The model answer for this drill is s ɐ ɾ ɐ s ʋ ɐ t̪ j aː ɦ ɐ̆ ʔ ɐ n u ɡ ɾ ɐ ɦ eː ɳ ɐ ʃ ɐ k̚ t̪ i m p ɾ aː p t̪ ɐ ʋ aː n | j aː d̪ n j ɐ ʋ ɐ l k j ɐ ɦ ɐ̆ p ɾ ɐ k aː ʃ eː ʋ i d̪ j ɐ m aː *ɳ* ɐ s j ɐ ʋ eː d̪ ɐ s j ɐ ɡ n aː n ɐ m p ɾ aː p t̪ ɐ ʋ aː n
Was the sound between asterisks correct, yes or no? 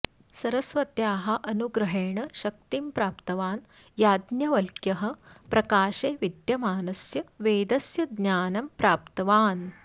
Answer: no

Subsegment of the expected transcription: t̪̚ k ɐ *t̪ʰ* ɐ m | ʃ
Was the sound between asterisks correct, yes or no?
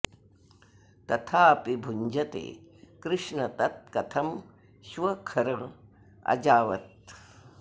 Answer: yes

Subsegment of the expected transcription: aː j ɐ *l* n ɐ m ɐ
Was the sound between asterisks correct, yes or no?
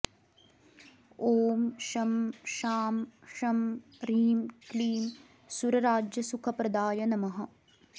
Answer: no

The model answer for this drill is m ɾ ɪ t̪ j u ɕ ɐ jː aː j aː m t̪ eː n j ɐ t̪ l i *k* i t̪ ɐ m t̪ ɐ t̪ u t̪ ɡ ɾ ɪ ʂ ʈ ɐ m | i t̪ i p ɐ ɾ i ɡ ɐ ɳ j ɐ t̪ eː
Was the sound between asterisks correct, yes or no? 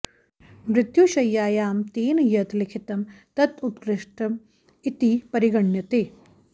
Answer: no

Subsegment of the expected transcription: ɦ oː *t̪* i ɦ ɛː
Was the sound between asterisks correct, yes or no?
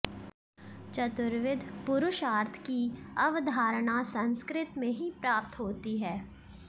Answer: yes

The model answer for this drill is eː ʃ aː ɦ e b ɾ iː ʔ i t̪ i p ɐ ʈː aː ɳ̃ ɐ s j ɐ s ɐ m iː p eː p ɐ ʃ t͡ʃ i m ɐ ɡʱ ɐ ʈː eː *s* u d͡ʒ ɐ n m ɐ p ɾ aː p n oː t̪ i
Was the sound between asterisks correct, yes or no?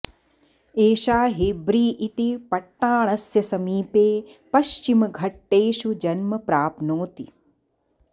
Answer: no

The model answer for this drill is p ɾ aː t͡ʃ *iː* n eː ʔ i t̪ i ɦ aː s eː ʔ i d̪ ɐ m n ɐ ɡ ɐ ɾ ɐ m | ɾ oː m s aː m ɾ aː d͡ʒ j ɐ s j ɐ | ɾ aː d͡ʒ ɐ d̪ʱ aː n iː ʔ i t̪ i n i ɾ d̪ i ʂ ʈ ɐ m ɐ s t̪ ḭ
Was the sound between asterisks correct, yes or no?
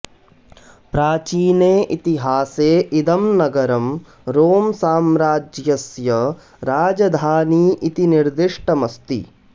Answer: yes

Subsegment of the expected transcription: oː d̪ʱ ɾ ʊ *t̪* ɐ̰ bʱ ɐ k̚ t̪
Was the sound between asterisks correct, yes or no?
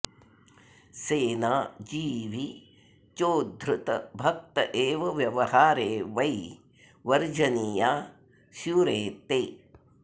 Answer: yes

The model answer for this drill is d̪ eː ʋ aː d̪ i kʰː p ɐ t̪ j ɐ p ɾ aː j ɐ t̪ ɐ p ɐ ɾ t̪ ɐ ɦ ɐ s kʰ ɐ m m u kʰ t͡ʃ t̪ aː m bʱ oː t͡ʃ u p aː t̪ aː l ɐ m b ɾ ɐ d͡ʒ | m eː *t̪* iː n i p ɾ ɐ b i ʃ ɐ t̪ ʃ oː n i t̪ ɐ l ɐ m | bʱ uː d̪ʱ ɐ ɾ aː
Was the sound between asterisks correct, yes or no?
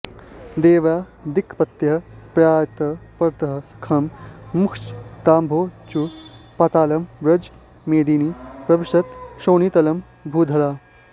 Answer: no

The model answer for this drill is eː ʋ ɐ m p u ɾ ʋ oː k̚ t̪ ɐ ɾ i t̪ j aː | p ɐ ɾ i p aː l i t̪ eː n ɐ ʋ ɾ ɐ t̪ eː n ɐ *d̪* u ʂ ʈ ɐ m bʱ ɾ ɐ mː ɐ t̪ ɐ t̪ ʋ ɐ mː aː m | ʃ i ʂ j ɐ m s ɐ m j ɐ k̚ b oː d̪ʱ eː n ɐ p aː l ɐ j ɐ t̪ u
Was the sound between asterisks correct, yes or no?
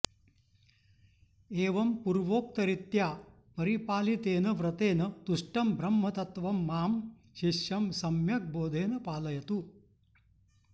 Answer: no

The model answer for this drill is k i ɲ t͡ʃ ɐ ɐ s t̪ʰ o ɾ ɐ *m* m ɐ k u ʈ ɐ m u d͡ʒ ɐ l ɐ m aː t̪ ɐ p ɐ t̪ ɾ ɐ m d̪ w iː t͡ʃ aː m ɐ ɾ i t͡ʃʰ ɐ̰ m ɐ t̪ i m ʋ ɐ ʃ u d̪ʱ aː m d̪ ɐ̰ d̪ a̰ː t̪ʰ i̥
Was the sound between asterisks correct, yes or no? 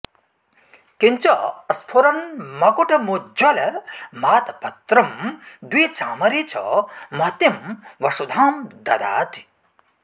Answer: no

